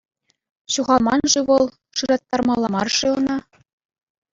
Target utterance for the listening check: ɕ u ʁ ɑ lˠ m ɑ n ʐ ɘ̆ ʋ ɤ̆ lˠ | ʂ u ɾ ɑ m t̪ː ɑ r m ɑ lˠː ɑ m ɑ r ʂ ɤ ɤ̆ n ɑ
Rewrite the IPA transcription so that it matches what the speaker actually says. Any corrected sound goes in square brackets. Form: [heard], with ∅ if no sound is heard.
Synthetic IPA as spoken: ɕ u ʁ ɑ lˠ m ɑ n ʐ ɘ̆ ʋ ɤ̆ lˠ | ʂ [ɯ] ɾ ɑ [∅] t̪ː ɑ r m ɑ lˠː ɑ m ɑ r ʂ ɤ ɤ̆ n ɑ